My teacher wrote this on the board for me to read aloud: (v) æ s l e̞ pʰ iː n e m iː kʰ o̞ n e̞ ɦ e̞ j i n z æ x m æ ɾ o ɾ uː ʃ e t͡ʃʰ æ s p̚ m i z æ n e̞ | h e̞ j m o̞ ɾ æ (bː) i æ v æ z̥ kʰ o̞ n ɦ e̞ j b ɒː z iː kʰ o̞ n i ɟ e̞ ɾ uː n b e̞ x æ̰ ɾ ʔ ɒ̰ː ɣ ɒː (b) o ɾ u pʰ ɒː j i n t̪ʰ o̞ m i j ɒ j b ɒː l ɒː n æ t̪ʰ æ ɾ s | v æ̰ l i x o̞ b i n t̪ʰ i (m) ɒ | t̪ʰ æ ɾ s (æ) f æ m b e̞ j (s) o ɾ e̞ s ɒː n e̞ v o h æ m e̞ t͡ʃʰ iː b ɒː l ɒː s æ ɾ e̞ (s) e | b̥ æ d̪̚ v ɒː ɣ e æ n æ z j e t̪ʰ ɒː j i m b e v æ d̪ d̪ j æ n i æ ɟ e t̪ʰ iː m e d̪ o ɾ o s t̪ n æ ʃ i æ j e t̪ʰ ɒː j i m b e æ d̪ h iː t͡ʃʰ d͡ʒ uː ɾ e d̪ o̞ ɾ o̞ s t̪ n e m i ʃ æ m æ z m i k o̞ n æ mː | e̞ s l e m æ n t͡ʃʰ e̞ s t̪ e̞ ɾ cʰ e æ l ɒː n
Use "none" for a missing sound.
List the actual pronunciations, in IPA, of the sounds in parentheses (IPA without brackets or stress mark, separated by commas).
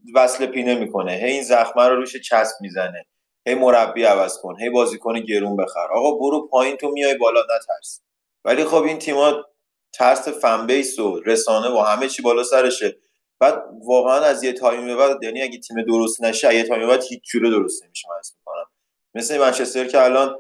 v, bː, b, m, e, s, ʃ